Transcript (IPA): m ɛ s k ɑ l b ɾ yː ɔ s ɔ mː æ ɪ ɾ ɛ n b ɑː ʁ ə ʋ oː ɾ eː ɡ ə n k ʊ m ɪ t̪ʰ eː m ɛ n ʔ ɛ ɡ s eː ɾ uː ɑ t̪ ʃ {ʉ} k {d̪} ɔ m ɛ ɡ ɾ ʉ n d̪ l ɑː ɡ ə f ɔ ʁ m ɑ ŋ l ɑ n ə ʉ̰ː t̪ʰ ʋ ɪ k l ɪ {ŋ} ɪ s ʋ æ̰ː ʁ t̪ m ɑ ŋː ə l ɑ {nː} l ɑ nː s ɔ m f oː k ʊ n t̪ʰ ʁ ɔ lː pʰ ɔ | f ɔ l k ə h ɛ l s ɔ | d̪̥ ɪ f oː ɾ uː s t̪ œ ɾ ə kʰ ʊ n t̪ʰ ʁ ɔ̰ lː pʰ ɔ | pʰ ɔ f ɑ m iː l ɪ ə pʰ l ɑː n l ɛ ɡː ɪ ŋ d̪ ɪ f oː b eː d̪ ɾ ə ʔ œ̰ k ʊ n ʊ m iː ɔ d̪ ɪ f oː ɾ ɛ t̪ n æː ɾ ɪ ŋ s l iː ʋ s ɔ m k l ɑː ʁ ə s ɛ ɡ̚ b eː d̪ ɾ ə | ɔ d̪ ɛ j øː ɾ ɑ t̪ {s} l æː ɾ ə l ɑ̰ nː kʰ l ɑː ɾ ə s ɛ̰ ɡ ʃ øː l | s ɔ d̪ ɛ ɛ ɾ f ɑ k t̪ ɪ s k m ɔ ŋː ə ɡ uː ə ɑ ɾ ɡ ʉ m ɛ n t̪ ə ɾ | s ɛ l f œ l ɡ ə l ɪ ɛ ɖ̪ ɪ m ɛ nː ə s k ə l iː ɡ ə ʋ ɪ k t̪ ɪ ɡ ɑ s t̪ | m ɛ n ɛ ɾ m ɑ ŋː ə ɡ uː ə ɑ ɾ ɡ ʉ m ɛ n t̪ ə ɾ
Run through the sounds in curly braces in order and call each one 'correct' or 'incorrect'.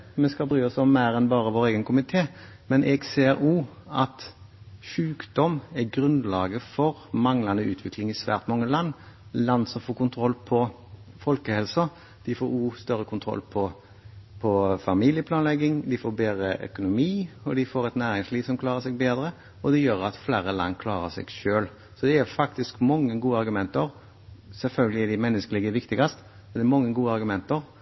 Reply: incorrect: ʉː, correct, correct, correct, incorrect: f

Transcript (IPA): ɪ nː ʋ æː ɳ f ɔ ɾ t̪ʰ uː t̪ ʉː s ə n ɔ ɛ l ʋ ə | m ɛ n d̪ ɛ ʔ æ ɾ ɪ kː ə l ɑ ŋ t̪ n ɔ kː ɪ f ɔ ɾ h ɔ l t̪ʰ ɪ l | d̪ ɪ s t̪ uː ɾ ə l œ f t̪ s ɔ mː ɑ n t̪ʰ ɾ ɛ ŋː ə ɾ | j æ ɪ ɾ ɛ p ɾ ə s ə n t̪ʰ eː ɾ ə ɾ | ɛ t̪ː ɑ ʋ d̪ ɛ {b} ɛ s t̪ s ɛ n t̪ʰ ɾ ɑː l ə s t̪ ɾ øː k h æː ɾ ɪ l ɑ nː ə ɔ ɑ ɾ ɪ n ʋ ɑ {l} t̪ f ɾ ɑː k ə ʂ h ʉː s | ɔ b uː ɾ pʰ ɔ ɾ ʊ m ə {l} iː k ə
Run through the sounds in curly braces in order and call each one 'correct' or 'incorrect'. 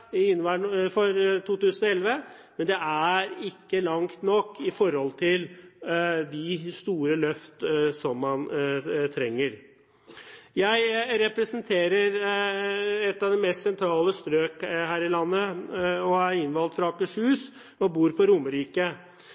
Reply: incorrect: m, correct, incorrect: ɾ

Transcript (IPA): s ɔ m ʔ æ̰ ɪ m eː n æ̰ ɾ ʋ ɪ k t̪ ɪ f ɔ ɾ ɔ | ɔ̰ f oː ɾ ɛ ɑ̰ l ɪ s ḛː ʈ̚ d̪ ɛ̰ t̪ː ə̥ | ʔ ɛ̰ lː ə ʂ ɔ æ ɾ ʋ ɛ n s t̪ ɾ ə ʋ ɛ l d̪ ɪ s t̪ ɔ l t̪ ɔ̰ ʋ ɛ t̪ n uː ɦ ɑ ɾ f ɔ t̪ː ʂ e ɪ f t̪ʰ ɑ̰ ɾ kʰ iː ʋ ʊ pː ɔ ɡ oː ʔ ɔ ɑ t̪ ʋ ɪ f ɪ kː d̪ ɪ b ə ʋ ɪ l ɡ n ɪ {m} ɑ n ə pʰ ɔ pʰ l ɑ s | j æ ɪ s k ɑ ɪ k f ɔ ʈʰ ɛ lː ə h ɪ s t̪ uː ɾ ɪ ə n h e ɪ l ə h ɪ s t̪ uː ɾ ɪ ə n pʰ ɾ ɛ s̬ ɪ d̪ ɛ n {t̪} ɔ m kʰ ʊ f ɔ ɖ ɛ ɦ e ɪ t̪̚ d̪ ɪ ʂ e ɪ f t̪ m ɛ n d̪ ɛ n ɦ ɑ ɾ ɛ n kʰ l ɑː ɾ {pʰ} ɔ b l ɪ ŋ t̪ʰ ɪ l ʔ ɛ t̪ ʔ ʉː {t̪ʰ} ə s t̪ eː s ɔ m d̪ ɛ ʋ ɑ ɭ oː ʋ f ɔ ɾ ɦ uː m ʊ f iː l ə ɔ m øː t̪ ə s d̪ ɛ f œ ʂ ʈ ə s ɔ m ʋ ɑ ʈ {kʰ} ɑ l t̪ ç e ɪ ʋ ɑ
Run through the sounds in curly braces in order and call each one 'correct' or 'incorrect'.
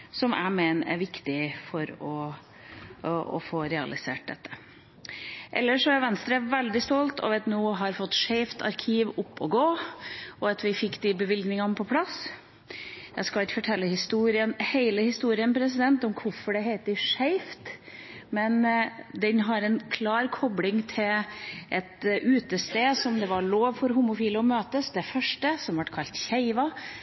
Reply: incorrect: ŋ, correct, incorrect: kʰ, incorrect: t̪, correct

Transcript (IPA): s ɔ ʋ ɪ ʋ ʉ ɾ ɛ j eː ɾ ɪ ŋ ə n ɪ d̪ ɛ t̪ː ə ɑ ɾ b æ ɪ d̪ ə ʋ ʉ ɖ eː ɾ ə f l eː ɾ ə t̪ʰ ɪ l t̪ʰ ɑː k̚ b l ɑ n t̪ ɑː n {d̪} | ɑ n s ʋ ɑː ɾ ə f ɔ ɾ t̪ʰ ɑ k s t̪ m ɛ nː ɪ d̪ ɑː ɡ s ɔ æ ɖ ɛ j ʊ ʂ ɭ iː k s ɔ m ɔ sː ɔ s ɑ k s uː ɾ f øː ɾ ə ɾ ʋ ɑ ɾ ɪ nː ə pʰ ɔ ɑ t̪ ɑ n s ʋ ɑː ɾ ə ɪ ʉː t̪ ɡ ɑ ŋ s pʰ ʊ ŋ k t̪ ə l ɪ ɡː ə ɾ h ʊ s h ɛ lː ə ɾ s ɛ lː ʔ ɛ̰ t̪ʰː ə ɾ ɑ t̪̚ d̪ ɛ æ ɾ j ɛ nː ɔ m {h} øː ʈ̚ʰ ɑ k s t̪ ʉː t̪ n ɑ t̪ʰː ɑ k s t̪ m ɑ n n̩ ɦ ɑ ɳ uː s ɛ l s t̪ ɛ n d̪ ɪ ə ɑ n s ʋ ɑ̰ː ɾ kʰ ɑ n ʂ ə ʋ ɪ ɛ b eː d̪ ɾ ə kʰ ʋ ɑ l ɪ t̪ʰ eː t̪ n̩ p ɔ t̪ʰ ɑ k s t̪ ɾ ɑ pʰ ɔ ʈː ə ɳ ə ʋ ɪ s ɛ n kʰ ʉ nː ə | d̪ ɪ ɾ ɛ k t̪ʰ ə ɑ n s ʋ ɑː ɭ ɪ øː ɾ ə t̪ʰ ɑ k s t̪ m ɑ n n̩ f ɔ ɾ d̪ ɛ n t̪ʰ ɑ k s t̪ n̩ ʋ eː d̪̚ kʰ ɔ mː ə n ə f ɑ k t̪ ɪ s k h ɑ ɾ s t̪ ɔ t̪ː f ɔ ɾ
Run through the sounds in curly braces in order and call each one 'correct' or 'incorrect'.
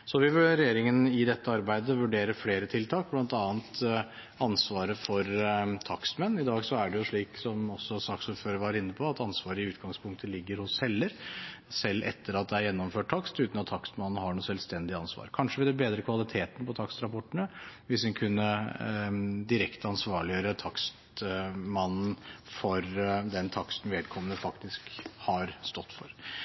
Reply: incorrect: t̪, incorrect: f

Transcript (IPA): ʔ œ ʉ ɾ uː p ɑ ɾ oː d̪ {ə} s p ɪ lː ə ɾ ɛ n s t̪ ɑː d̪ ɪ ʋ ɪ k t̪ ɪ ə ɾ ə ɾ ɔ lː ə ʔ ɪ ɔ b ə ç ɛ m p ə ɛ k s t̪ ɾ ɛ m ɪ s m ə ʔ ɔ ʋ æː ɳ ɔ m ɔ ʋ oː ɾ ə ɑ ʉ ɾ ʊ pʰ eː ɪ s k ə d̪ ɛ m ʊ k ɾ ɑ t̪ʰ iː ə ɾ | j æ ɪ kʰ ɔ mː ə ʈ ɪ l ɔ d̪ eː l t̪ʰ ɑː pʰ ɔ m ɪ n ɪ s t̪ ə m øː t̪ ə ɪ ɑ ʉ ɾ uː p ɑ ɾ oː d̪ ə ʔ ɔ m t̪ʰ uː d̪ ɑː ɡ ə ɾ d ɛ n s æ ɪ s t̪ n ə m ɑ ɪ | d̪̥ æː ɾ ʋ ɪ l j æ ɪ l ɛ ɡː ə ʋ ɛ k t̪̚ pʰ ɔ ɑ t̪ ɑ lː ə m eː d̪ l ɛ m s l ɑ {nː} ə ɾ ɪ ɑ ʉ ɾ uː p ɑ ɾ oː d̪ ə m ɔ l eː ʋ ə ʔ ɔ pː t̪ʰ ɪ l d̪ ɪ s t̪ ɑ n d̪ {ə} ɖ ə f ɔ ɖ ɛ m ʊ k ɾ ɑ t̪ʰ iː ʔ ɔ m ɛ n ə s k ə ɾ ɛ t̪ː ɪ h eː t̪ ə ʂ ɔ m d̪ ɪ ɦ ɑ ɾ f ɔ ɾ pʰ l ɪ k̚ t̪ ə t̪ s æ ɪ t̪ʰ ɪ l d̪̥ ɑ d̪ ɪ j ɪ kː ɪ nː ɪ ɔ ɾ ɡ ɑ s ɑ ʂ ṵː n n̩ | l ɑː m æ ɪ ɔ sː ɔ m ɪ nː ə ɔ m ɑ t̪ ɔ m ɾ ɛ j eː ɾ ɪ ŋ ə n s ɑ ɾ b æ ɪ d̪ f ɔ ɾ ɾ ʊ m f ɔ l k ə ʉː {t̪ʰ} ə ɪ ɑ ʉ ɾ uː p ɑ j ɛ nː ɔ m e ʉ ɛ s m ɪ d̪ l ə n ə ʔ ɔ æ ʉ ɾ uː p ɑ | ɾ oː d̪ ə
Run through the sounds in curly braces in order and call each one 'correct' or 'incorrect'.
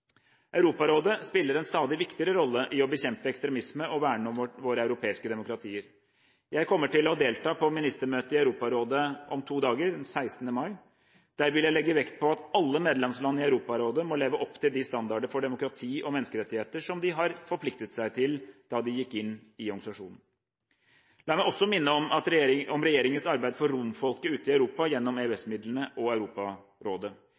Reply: correct, correct, incorrect: ɑ, incorrect: t̪

